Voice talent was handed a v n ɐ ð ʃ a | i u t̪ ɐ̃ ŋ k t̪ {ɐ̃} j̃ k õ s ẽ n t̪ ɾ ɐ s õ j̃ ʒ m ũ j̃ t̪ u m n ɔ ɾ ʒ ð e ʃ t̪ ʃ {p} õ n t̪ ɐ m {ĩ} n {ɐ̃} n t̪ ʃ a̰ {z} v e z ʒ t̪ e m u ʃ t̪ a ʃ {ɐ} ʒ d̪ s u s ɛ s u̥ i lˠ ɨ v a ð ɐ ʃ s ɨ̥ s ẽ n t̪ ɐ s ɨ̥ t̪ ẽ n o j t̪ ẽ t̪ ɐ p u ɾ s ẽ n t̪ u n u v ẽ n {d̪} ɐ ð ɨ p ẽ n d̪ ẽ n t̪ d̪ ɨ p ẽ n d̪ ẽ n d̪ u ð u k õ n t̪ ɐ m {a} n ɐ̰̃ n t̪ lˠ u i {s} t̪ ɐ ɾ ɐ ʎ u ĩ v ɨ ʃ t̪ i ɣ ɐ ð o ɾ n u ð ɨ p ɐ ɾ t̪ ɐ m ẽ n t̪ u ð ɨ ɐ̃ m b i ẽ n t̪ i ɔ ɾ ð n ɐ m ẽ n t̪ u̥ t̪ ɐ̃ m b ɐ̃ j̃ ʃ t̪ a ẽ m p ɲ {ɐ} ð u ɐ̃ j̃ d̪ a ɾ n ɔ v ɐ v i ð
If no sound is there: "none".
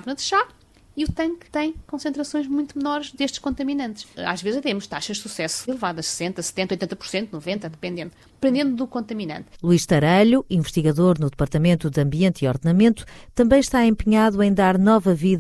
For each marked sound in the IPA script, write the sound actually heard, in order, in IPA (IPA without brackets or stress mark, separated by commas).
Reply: ɐ̃, k, i, ɐ̃, ʒ, ɐ, t̪, i, ʃ, a